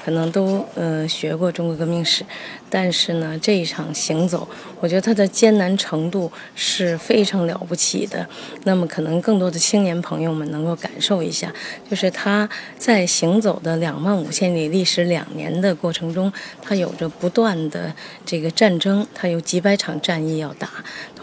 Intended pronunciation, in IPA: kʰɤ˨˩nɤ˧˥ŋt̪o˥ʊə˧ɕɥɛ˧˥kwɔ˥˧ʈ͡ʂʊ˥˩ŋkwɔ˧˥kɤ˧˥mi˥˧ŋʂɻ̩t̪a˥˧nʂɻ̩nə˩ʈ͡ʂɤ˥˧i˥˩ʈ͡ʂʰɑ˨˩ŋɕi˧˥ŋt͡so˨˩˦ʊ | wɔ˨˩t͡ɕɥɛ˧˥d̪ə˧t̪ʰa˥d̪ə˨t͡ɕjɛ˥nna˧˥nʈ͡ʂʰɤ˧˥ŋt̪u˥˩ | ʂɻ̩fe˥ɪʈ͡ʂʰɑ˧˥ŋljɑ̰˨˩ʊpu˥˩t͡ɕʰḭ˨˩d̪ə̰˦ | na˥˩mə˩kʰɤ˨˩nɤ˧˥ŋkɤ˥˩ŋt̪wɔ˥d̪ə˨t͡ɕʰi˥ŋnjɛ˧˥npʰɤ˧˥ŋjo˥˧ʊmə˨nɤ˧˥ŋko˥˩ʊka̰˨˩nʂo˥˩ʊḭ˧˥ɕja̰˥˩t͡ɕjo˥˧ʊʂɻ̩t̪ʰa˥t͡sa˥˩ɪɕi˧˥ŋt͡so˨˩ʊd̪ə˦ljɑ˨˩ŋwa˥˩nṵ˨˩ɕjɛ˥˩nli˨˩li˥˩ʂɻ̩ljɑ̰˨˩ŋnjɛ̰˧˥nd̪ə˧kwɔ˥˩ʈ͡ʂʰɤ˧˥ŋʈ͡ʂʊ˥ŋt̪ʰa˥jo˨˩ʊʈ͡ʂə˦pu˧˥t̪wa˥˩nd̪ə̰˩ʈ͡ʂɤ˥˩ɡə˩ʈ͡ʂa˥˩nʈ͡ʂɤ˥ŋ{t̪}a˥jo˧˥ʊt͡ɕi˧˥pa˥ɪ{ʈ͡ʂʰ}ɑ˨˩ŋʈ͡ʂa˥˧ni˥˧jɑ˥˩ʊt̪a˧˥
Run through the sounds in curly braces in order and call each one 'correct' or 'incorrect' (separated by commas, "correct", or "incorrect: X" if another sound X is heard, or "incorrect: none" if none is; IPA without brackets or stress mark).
incorrect: t̪ʰ, correct